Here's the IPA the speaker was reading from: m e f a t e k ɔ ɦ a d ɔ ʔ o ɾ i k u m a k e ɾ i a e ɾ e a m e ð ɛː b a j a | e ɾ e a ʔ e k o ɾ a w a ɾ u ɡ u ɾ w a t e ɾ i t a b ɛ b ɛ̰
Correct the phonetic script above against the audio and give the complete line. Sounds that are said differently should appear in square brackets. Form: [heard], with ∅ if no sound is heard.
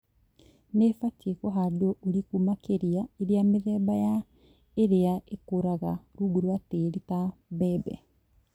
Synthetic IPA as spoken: [n] e f a t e k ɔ ɦ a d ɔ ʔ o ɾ i k u m a k e ɾ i a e ɾ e a m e ð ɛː b a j a | e ɾ e a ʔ e k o ɾ a [ɣ] a ɾ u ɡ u ɾ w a t e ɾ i t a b ɛ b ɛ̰